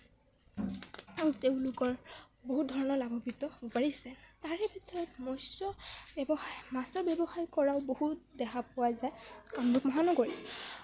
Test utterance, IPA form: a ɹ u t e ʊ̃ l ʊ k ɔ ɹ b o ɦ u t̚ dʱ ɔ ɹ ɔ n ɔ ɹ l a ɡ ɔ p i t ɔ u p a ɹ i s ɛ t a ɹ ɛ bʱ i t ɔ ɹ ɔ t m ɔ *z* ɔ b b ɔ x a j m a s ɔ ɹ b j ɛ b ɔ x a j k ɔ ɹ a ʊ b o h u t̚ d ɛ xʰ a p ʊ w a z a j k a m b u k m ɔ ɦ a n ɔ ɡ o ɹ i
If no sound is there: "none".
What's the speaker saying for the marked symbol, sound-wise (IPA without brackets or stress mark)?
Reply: s